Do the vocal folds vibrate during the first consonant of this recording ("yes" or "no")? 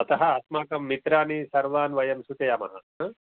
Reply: no